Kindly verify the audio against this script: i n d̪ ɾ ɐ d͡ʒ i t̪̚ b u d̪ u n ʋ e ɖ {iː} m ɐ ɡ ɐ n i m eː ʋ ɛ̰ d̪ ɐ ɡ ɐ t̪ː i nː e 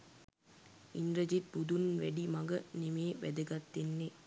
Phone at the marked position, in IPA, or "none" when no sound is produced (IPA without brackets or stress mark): i